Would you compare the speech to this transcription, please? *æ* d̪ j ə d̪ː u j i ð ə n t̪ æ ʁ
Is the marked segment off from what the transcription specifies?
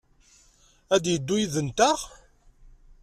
no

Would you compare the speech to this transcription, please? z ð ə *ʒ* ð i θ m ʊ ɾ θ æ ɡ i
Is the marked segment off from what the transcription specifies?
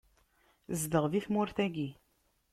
yes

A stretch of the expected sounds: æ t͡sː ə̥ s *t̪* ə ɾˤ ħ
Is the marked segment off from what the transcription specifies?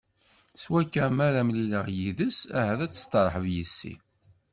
no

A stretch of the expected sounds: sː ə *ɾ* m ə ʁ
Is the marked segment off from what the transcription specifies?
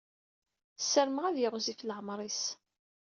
no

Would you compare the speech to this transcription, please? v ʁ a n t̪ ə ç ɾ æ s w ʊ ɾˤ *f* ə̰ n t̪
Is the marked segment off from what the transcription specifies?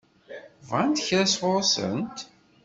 yes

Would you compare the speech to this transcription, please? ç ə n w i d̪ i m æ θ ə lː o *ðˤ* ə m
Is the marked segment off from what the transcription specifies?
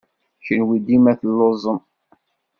yes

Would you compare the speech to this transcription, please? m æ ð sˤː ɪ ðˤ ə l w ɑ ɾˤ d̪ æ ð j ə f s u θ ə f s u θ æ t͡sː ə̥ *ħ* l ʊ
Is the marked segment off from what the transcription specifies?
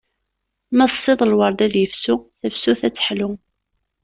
no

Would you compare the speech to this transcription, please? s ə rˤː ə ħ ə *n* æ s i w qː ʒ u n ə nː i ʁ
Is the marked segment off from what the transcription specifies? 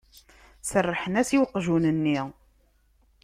no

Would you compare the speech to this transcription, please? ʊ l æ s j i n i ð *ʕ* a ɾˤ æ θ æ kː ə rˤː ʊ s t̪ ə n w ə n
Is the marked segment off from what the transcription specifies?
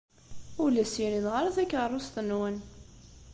yes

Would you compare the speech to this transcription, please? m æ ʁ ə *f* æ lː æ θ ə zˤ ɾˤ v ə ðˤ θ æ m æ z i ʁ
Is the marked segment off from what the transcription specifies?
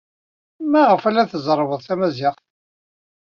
no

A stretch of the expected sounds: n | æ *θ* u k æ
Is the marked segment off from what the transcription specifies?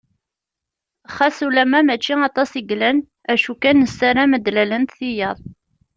yes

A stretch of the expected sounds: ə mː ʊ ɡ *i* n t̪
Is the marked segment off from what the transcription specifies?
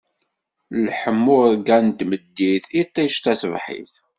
yes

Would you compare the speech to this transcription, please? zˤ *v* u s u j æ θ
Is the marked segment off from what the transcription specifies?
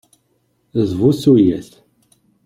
no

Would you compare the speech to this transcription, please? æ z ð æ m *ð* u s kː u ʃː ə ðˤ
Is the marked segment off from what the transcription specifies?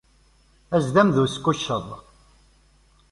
no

